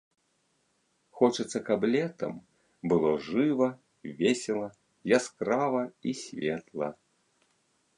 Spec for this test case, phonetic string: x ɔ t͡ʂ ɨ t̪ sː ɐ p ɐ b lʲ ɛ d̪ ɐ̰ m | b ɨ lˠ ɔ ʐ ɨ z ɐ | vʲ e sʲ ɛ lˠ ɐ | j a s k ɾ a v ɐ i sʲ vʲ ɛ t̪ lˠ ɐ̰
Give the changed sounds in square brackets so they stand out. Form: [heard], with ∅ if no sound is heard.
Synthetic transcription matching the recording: x ɔ t͡ʂ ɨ t̪ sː ɐ [k] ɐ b lʲ ɛ [t̪] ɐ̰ m | b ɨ lˠ ɔ ʐ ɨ [v] ɐ | vʲ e sʲ ɛ lˠ ɐ | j a s k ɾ a v ɐ i sʲ vʲ ɛ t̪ lˠ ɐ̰